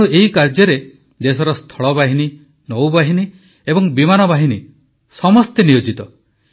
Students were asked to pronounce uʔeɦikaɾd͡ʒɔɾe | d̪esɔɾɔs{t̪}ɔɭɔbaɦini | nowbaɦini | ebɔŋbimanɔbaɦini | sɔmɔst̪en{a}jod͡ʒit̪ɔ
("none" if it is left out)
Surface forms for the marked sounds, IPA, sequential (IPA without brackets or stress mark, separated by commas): t̪ʰ, i